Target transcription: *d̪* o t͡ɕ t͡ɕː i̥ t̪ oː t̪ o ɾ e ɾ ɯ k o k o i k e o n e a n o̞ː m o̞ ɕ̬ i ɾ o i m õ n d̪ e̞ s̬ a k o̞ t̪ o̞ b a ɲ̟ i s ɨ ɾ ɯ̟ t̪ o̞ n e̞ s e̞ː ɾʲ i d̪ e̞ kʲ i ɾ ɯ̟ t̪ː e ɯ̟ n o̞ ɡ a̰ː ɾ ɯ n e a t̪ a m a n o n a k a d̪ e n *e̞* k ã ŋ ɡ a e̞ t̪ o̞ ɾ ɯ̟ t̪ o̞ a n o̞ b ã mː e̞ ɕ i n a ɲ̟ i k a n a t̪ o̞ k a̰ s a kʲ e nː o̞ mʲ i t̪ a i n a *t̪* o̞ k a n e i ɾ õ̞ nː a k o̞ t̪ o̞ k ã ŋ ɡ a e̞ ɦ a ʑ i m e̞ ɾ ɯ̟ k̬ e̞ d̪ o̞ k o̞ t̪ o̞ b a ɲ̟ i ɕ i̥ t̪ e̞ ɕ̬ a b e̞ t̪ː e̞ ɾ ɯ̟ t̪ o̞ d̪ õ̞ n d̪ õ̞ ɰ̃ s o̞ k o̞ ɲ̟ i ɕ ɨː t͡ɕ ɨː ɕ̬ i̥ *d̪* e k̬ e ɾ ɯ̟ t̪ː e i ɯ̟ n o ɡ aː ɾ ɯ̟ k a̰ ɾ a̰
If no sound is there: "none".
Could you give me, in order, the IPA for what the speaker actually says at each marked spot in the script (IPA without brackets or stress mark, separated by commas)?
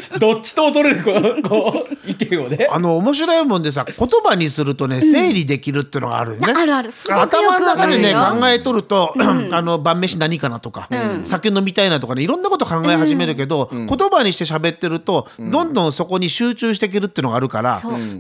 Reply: d̪, e̞, t̪, t̪